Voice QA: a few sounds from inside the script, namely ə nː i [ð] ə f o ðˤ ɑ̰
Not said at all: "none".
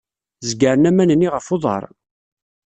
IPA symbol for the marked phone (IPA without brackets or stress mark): ʁ